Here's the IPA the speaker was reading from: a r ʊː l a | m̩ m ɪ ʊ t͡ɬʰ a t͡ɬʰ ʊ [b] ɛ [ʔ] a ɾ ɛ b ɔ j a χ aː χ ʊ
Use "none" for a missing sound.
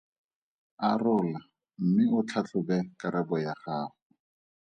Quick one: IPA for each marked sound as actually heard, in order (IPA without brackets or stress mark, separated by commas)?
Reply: b, k